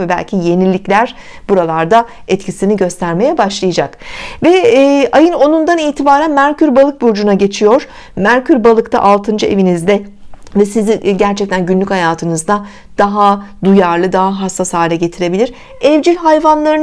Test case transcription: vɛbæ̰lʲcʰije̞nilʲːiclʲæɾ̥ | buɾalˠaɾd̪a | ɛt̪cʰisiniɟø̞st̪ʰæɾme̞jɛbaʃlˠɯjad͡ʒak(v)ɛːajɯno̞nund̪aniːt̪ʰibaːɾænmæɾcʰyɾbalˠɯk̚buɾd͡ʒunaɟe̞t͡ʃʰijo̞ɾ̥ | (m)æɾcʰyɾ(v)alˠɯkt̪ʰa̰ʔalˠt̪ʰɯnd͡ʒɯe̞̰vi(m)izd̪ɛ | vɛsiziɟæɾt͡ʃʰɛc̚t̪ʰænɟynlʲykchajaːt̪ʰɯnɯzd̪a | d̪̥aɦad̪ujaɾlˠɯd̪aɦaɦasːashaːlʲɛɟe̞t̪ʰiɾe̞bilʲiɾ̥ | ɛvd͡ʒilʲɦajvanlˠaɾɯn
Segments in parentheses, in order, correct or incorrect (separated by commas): correct, correct, incorrect, incorrect